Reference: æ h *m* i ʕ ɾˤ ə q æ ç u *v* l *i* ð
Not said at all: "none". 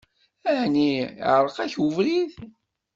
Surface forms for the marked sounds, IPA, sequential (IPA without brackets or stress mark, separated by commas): n, v, i